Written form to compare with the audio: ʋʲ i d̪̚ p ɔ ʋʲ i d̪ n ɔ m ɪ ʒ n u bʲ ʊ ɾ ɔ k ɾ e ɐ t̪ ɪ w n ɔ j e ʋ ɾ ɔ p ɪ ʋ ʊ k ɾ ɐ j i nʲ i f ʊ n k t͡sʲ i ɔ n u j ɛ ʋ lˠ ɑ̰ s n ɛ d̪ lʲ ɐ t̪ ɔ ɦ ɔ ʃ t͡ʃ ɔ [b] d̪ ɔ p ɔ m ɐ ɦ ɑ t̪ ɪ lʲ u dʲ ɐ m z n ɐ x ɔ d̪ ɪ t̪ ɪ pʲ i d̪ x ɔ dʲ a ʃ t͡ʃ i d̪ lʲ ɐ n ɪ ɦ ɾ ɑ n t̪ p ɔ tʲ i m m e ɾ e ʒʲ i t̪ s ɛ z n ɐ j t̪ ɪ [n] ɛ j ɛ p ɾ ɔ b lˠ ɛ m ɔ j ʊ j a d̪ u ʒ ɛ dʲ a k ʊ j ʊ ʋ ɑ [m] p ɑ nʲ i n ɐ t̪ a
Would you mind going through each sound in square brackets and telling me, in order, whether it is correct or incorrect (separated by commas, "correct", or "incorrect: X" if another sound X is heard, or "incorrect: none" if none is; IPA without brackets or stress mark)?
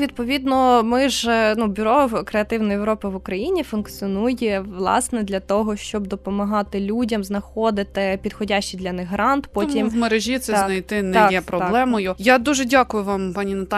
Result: correct, correct, correct